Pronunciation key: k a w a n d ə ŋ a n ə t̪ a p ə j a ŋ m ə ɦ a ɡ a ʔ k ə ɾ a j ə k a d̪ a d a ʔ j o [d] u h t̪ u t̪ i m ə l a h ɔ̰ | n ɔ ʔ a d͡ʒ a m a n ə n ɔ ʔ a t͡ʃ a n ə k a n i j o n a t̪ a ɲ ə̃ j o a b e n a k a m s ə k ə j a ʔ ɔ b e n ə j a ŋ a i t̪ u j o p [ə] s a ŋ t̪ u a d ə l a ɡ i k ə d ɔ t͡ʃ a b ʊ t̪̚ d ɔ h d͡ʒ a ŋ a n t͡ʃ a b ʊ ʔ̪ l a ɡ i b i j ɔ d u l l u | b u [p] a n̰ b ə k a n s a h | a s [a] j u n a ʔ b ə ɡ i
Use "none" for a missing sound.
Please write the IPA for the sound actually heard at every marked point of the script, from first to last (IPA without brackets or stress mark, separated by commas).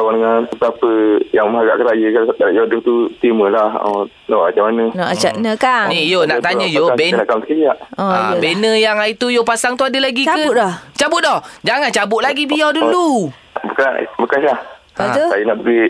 d, a, k, a